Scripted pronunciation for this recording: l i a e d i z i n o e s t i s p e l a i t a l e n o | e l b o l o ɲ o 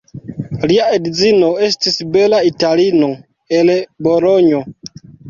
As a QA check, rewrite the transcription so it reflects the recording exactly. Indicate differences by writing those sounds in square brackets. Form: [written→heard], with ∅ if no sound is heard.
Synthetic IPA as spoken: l i a e d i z i n o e s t i s [p→b] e l a i t a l [e→i] n o | e l b o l o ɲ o